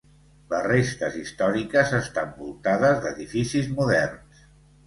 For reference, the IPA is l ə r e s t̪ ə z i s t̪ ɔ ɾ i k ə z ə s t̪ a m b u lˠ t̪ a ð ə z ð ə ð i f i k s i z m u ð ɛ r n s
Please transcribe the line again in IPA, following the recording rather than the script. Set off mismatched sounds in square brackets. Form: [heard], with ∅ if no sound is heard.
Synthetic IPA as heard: l ə r e s t̪ ə z i s t̪ ɔ ɾ i k ə z ə s t̪ a m b u lˠ t̪ a ð ə z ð ə ð i f i [∅] s i z m u ð ɛ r n s